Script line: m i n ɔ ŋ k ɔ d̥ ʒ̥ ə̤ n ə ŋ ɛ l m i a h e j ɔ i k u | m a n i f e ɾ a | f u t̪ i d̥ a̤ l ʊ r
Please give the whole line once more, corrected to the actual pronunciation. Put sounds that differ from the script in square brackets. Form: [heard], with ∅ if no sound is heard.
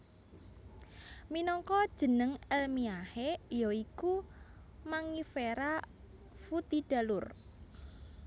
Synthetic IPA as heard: m i n ɔ ŋ k ɔ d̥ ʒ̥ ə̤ n ə ŋ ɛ l m i a h e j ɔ i k u | m a [ŋ] i f e ɾ a | f u t̪ i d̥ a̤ l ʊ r

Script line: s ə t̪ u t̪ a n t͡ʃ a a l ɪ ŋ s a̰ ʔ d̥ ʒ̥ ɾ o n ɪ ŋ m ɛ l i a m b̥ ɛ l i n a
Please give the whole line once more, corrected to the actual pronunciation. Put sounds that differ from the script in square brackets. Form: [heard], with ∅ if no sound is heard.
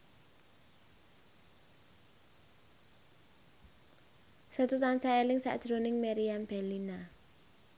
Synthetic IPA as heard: s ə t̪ u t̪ a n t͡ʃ a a l ɪ ŋ s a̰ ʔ d̥ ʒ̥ ɾ o n ɪ ŋ m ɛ [ɾ] i a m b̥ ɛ l i n a

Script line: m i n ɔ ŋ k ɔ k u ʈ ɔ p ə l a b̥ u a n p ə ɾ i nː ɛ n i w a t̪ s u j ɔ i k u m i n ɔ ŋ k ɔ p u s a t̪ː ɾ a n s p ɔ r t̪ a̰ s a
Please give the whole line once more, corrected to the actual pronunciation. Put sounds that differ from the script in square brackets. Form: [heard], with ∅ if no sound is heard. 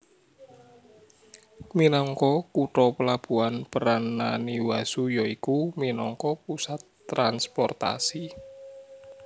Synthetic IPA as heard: m i n ɔ ŋ k ɔ k u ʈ ɔ p ə l a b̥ u a n p ə ɾ [a] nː [a] n i w a [∅] s u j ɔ i k u m i n ɔ ŋ k ɔ p u s a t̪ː ɾ a n s p ɔ r t̪ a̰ s [i]

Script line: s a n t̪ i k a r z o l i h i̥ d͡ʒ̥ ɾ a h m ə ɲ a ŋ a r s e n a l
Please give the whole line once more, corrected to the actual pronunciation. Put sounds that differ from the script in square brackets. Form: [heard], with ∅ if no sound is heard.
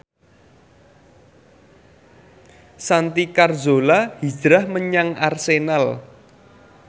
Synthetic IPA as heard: s a n t̪ i k a r z o l [a] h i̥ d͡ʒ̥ ɾ a h m ə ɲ a ŋ a r s e n a l

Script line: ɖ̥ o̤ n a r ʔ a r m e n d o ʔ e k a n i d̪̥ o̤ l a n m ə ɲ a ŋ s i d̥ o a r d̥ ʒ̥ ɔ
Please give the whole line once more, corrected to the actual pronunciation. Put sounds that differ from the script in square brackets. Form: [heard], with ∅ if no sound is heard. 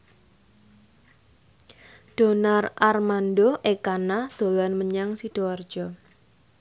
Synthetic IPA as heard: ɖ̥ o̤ n a r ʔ a r m [a] n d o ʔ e k a n [a] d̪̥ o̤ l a n m ə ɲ a ŋ s i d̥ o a r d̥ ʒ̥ ɔ

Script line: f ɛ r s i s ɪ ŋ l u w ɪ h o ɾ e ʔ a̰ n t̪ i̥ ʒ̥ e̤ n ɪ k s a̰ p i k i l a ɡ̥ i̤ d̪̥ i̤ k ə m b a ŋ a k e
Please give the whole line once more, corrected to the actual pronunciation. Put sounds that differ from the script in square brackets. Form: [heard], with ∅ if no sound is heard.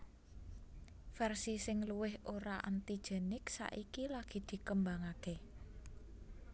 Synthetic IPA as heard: f ɛ r s i s ɪ ŋ l u w ɪ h o ɾ [a] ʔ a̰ n t̪ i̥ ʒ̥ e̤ n ɪ k s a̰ [ʔ] i k i l a ɡ̥ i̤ d̪̥ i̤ k ə m b a ŋ a k e

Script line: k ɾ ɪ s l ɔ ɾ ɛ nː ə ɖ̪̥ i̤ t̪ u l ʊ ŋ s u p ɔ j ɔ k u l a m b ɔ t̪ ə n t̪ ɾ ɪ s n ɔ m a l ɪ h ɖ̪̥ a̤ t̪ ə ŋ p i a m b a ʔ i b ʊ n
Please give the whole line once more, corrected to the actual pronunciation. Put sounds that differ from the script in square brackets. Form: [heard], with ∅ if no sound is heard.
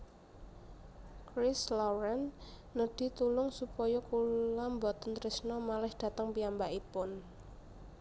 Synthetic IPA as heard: k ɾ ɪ s l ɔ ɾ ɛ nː ə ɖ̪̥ i̤ t̪ u l ʊ ŋ s u p ɔ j ɔ k u l a m b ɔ t̪ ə n t̪ ɾ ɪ s n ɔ m a l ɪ h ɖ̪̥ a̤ t̪ ə ŋ p i a m b a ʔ i [p] ʊ n

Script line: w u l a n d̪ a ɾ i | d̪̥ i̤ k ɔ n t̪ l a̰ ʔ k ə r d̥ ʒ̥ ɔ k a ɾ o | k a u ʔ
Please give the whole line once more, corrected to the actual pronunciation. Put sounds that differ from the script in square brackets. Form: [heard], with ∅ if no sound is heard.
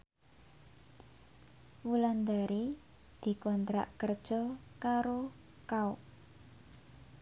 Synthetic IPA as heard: w u l a n d̪ a ɾ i | d̪̥ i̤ k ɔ n t̪ [ɾ] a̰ ʔ k ə r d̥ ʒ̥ ɔ k a ɾ o | k a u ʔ

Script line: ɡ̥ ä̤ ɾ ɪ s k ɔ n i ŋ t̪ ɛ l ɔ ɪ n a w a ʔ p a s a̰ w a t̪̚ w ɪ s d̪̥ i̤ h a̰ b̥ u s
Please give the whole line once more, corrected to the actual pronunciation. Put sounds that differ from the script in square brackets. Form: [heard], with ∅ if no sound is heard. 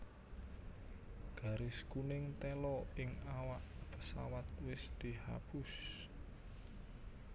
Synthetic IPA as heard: ɡ̥ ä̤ ɾ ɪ s k [u] n [ɪ] ŋ t̪ ɛ l ɔ ɪ [ŋ] a w a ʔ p [ə] s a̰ w a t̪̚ w ɪ s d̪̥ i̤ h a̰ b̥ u s

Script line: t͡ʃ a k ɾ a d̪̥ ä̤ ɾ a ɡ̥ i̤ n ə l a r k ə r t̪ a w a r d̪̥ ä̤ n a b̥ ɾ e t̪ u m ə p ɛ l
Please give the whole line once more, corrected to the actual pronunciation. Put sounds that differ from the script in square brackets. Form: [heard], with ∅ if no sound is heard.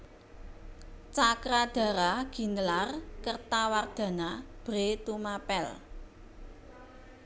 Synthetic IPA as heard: t͡ʃ a k ɾ a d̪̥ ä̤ ɾ a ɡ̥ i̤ n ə l a r k ə r t̪ a w a r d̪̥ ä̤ n a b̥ ɾ e t̪ u m [a] p ɛ l

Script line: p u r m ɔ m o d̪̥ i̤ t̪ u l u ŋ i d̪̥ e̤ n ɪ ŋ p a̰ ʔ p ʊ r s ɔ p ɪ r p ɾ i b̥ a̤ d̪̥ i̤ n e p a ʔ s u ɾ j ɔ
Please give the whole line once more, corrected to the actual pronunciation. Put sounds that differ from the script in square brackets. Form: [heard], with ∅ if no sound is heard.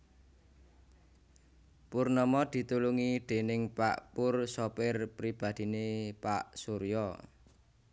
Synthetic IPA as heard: p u r [n] ɔ m [ɔ] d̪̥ i̤ t̪ u l u ŋ i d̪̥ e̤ n ɪ ŋ p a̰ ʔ p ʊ r s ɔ p ɪ r p ɾ i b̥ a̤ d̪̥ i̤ n e p a ʔ s u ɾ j ɔ

